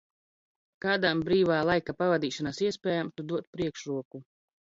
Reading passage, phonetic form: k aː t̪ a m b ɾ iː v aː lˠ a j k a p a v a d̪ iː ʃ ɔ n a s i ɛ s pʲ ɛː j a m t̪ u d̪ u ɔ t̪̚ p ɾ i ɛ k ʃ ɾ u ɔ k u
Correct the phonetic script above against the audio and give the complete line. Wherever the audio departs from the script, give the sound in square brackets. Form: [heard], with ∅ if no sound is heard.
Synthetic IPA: k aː [d̪] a m b ɾ iː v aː lˠ a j k a p a v a d̪ iː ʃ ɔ n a s i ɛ s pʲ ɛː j a m t̪ u d̪ u ɔ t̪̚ p ɾ i ɛ k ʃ ɾ u ɔ k u